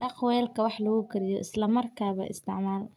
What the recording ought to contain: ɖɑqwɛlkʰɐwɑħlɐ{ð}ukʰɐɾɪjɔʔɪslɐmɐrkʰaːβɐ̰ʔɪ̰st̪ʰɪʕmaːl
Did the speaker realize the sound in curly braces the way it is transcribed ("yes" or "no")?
no